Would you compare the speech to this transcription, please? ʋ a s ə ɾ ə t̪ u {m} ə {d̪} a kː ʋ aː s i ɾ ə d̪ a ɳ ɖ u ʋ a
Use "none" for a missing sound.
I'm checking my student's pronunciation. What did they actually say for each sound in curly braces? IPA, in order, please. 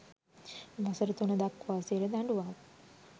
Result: n, d̪

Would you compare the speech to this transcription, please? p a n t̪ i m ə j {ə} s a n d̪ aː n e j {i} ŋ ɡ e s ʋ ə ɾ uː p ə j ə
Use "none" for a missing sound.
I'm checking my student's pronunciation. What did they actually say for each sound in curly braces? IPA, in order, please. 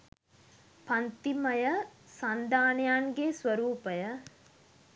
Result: ə, a

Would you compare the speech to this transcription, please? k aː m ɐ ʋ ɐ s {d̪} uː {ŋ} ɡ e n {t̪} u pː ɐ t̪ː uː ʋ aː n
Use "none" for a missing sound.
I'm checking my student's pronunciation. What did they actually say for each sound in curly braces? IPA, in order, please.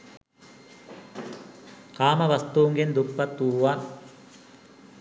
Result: t̪, ŋ, d̪

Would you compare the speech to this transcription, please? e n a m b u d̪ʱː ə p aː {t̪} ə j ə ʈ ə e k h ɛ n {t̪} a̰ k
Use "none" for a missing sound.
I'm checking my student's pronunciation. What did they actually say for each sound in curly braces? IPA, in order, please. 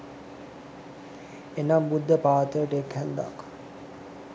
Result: t̪, d̪

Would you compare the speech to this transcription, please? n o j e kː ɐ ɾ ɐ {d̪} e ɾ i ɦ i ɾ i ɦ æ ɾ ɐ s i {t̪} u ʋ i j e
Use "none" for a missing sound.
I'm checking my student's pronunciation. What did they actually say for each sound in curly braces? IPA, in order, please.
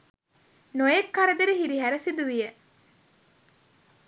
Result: d̪, d̪

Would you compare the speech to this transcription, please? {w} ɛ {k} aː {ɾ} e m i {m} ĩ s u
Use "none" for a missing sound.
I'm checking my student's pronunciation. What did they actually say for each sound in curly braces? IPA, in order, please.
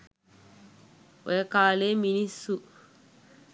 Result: w, k, l, n

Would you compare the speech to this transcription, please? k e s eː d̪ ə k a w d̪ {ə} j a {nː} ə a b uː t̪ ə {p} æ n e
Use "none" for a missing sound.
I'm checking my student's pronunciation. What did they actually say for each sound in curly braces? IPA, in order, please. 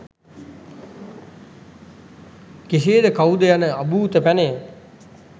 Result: ə, n, p

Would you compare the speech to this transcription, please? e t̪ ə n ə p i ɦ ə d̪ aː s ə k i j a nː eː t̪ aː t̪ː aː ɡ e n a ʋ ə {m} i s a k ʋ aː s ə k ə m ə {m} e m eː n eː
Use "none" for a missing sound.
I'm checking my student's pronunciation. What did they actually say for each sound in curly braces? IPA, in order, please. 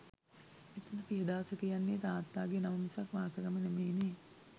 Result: m, n

